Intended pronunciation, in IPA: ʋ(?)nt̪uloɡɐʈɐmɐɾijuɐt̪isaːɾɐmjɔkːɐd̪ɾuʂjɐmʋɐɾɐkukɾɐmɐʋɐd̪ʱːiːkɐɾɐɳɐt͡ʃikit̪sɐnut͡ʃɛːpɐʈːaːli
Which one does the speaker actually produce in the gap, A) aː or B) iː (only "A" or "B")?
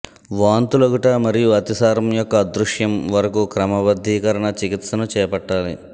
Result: A